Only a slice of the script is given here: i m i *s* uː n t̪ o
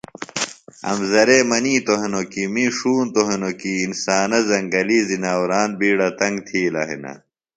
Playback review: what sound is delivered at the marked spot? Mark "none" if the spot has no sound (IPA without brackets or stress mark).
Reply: ʂ